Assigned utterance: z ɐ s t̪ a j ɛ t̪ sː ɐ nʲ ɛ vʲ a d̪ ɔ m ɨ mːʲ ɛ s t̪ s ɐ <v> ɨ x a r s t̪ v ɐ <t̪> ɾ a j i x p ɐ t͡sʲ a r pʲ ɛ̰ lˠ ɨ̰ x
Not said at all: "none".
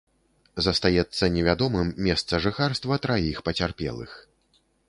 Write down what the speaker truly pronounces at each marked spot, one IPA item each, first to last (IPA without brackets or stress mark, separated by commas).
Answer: ʐ, t̪